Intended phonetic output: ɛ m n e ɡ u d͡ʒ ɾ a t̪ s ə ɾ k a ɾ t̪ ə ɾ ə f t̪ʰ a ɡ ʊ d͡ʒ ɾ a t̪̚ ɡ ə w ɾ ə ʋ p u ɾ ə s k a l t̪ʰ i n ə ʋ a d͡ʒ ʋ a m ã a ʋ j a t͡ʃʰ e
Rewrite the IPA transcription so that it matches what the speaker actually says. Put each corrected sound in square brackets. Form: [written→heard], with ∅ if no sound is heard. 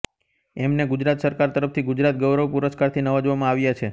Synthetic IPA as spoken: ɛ m n e ɡ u d͡ʒ ɾ a t̪ s ə ɾ k a ɾ t̪ ə ɾ ə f t̪ʰ [a→i] ɡ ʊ d͡ʒ ɾ a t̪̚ ɡ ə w ɾ ə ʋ p u ɾ ə s k a [l→ɾ] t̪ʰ i n ə ʋ a d͡ʒ ʋ a m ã a ʋ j a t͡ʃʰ e